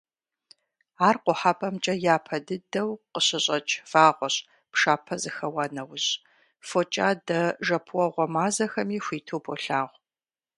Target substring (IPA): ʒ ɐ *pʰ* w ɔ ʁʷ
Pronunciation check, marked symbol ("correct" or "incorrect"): correct